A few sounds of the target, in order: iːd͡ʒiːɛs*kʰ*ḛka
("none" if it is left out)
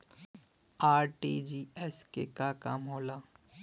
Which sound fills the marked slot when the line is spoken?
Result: k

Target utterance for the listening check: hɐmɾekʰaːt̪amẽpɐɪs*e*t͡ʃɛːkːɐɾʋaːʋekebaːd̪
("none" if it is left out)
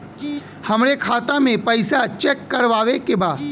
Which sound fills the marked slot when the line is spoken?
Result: a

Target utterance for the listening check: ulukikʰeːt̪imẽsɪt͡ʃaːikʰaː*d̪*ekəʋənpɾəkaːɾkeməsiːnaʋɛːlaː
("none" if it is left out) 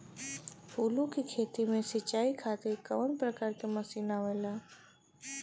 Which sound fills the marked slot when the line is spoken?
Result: t̪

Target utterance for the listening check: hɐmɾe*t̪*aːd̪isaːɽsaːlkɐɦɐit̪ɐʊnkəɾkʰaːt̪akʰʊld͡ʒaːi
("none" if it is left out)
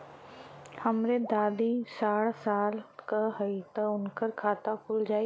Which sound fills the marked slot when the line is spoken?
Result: d̪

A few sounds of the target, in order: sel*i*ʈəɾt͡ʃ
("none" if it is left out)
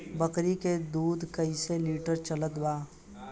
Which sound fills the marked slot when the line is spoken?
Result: iː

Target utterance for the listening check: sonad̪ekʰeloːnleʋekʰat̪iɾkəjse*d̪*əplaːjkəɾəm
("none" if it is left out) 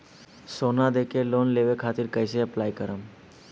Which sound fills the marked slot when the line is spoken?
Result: none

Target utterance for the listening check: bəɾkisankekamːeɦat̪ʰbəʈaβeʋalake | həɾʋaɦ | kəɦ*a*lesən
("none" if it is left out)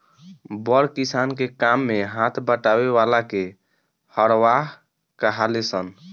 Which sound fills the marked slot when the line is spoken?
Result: a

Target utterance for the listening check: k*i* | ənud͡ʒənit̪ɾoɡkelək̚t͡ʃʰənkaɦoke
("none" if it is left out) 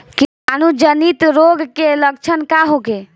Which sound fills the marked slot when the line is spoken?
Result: i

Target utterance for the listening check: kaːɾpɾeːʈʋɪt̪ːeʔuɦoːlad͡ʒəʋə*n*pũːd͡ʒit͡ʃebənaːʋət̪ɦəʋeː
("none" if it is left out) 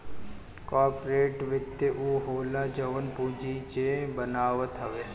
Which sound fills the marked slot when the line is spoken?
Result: n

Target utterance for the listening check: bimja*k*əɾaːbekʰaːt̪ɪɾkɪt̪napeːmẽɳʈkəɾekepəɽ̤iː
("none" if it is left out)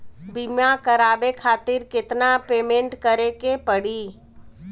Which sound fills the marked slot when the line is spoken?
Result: k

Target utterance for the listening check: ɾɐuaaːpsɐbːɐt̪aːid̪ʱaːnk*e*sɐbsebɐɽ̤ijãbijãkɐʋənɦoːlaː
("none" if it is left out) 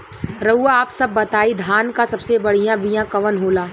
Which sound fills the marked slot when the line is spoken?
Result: a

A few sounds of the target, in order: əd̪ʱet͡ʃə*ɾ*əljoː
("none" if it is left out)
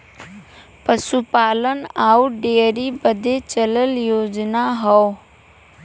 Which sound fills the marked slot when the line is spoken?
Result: l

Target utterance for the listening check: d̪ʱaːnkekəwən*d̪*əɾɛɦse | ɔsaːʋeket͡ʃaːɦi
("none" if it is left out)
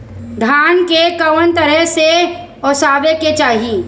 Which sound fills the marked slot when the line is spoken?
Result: t̪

